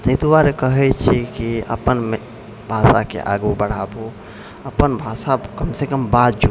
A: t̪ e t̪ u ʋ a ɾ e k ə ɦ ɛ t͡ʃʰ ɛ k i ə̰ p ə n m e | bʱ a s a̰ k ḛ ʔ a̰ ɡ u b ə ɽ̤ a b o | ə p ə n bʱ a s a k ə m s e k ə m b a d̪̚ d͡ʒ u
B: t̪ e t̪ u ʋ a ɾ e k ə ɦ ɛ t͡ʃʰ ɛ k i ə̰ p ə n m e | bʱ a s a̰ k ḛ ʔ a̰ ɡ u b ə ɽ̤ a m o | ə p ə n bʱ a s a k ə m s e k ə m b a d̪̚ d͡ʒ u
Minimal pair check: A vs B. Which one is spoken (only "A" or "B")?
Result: A